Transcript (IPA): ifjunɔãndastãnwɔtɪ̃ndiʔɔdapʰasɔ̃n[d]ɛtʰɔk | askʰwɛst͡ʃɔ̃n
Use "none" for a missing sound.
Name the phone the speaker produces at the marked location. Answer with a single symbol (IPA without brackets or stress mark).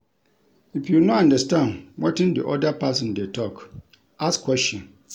d